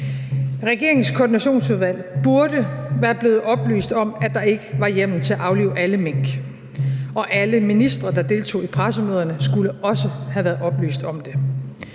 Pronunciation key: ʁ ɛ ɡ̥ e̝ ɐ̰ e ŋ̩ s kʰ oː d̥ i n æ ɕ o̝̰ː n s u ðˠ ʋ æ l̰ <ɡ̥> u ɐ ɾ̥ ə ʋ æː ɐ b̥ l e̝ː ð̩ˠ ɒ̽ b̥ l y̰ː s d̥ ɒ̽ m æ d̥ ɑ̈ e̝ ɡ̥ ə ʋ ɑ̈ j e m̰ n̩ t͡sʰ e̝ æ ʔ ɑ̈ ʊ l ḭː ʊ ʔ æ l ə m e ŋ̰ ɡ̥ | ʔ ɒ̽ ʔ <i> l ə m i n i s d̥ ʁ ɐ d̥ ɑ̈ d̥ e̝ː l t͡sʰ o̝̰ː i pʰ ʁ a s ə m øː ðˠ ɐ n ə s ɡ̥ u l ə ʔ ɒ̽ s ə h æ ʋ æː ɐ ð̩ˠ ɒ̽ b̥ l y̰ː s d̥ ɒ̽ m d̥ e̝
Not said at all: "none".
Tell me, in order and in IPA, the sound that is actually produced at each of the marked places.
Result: b̥, æ

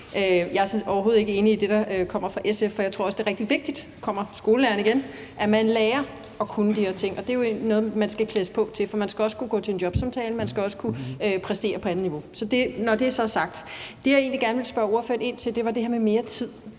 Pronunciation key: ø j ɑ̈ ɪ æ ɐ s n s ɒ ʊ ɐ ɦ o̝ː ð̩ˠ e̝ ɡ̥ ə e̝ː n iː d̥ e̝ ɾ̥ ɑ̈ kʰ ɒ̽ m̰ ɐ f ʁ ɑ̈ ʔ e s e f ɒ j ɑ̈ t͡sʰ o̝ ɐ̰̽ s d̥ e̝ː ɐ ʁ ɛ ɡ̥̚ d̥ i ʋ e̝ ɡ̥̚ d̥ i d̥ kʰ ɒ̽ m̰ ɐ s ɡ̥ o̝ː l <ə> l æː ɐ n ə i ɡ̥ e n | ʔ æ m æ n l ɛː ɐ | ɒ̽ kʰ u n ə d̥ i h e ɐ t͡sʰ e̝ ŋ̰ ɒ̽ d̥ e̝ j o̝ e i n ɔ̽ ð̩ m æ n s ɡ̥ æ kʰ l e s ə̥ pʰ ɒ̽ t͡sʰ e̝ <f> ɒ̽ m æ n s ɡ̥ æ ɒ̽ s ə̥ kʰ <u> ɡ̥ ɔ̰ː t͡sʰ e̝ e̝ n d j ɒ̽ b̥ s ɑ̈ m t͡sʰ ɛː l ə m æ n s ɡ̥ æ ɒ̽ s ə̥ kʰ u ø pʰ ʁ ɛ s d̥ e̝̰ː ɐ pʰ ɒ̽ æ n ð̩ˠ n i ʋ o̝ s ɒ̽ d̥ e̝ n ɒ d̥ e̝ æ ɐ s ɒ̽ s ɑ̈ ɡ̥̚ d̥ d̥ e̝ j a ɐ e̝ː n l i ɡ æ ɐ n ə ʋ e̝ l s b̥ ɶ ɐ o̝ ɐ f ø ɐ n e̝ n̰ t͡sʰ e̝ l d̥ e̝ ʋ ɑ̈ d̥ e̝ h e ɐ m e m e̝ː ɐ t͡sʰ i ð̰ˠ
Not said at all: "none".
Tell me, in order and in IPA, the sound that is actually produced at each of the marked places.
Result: ə, f, u

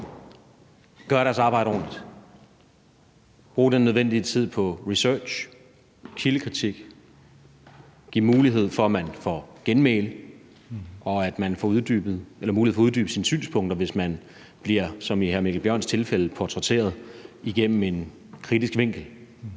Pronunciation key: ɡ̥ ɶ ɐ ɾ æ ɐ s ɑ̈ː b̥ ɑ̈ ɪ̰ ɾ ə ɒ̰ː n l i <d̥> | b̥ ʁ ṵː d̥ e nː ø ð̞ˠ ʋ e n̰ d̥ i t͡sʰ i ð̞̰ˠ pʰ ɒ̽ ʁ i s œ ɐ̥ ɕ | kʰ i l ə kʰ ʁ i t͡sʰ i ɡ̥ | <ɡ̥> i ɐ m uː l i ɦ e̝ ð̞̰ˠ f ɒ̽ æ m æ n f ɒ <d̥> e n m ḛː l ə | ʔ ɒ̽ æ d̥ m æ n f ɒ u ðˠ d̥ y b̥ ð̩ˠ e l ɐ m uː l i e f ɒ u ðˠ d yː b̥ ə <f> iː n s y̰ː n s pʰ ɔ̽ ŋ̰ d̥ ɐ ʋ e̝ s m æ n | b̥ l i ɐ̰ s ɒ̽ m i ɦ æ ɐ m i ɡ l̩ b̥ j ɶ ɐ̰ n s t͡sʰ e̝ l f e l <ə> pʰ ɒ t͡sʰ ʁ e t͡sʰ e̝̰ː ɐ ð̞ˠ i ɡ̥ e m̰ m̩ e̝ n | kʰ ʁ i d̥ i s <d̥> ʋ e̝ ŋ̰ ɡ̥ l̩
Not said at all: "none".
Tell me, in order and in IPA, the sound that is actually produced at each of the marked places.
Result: d̥, ɡ̥, ɡ̥, s, ə, ɡ̥

